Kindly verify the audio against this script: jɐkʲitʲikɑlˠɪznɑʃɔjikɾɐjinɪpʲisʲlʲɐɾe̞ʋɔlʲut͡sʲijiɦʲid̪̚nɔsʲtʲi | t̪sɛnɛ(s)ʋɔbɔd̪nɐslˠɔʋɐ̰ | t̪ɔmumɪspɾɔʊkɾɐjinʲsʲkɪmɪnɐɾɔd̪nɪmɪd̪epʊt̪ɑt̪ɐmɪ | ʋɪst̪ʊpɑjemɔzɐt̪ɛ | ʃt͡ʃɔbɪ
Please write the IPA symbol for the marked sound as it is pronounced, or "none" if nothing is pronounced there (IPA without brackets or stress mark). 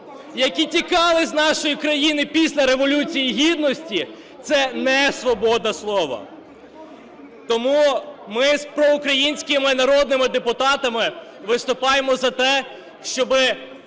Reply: s